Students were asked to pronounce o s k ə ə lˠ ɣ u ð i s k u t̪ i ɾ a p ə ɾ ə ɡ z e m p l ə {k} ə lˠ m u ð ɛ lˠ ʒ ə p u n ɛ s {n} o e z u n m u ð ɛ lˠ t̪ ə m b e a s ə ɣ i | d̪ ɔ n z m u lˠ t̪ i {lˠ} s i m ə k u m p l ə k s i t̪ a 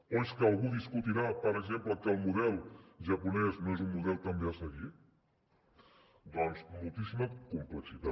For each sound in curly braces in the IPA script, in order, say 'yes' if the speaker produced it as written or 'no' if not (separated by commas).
yes, yes, no